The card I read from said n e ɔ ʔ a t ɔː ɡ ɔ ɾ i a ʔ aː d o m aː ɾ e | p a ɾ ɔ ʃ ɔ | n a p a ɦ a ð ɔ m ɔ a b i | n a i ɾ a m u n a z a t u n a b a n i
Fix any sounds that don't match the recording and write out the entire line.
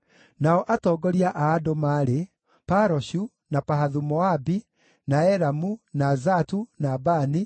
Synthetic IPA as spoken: n a ɔ ʔ a t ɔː ɡ ɔ ɾ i a ʔ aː d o m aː ɾ e | p a ɾ ɔ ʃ u | n a p a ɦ a ð u m ɔ a b i | n a ɛ ɾ a m u n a z a t u n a b a n i